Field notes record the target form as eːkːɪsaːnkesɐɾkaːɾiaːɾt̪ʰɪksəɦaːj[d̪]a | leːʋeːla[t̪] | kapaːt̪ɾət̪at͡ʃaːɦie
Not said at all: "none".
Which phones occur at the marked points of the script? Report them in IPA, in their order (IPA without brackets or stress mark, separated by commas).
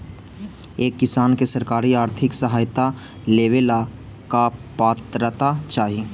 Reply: t̪, none